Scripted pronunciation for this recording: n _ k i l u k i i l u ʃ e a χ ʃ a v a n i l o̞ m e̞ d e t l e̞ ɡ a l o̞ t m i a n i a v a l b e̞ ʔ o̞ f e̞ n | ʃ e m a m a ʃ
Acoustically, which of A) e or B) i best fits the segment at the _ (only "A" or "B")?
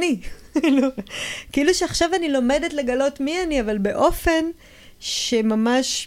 B